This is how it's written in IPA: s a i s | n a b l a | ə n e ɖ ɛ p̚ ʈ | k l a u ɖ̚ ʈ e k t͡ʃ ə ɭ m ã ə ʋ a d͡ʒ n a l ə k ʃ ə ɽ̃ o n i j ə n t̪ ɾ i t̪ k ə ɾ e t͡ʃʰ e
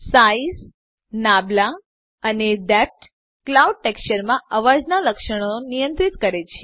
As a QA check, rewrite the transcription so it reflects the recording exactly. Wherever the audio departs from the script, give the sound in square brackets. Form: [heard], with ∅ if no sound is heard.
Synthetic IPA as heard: s a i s | n a b l a | ə n e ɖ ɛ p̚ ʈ | k l a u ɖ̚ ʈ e k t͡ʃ ə [ɾ] m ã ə ʋ a d͡ʒ n a l ə k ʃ ə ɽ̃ o n i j ə n t̪ ɾ i t̪ k ə ɾ e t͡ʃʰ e